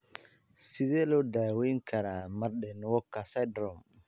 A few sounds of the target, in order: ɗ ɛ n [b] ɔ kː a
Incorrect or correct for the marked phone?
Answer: incorrect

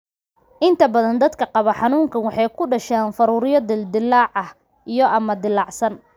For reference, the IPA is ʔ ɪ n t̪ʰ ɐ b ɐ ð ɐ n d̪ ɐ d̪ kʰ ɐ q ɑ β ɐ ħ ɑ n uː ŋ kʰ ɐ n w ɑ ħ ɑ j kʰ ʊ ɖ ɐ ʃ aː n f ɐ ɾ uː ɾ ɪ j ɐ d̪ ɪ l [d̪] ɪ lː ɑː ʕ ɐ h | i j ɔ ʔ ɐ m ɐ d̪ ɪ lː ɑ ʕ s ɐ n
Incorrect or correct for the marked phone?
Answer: correct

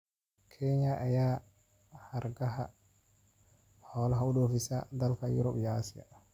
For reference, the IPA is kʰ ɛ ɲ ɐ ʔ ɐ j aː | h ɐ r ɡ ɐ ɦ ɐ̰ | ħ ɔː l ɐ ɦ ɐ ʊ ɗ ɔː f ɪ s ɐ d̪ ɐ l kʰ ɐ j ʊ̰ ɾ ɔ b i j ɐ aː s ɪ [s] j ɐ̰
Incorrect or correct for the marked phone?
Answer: incorrect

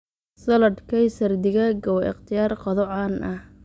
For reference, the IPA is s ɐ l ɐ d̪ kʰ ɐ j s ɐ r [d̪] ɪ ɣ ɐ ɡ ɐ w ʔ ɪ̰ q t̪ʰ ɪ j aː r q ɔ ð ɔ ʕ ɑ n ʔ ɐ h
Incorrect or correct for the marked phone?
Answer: correct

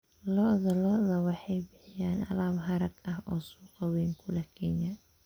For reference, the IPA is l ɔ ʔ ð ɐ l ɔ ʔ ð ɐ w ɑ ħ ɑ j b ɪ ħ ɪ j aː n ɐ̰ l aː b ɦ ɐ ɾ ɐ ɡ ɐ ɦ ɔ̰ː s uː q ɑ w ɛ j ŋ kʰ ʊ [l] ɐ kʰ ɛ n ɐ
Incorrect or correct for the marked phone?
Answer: correct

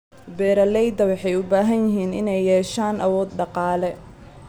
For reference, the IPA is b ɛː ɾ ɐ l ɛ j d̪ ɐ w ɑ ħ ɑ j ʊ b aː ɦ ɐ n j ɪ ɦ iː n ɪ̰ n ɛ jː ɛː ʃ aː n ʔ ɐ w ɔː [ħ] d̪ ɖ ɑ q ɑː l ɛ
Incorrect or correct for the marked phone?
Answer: incorrect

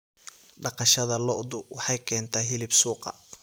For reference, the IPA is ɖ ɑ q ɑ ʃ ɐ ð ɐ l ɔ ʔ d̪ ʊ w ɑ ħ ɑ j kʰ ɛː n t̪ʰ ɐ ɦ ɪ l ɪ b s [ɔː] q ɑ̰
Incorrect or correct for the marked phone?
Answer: incorrect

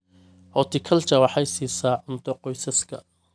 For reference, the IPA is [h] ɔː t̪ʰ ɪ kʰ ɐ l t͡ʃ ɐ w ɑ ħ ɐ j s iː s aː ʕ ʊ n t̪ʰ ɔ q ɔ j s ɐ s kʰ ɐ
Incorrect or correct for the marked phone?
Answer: correct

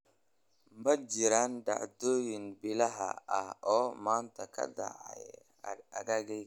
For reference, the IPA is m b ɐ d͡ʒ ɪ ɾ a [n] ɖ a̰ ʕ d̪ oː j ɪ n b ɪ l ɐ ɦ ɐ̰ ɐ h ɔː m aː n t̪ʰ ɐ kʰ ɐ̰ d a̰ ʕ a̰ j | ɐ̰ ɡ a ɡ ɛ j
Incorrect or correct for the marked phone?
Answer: correct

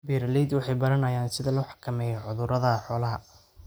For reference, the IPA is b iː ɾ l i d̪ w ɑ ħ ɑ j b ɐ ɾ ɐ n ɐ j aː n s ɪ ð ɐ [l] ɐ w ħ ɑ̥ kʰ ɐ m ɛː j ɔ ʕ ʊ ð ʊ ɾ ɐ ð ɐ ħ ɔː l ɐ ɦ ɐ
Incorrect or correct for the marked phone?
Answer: correct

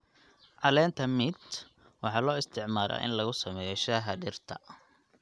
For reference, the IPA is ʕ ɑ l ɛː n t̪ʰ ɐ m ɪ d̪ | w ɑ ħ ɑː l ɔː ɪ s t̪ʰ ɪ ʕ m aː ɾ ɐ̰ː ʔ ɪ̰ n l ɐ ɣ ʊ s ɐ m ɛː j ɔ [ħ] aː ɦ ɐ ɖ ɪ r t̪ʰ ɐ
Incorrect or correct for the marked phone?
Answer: incorrect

